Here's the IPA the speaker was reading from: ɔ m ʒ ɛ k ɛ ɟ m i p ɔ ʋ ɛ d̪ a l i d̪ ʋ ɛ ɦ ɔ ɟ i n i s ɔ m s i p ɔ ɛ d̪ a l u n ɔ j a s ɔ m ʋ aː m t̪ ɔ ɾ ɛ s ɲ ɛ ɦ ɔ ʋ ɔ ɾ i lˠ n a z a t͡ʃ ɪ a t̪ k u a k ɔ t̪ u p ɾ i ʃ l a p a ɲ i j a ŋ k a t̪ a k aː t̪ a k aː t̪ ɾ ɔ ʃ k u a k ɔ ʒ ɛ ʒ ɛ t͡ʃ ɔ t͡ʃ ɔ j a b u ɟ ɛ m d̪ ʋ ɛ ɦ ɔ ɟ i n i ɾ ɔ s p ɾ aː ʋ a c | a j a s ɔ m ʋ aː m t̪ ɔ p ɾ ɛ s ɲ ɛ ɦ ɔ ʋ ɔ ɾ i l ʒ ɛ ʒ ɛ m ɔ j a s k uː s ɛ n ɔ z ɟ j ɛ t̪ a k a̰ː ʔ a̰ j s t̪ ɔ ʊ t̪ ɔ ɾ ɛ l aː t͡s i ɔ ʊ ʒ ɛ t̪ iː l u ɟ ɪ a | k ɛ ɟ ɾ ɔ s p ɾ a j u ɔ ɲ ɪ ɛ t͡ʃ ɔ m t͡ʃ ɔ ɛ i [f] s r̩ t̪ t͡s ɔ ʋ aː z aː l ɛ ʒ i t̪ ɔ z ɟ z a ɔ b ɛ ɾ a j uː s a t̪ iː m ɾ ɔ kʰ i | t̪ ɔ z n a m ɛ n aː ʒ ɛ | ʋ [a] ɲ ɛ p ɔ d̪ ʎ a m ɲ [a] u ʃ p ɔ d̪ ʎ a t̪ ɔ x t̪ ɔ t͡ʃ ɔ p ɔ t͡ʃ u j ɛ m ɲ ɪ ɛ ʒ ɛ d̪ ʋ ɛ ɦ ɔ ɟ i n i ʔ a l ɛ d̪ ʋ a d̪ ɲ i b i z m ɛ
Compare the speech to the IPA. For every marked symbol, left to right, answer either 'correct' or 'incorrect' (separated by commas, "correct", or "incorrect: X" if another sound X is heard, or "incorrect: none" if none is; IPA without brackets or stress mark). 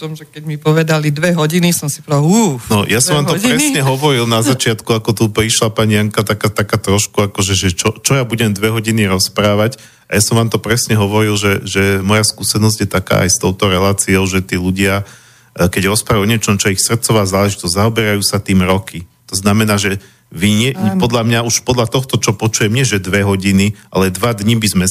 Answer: incorrect: x, incorrect: i, correct